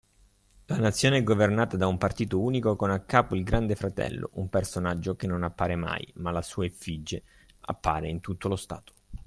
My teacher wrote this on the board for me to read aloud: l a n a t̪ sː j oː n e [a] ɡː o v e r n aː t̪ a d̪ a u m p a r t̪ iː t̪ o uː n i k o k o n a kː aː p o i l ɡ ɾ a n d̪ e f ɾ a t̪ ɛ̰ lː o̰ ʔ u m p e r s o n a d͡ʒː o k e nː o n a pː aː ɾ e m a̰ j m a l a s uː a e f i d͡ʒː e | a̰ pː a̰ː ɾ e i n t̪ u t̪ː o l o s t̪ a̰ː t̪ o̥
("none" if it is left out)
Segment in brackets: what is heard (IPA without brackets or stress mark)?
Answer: ɛ